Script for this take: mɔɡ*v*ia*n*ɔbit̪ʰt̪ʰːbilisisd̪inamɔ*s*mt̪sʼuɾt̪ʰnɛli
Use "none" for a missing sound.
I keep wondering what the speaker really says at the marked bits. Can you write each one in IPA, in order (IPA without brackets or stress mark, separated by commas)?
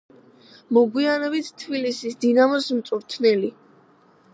w, n, s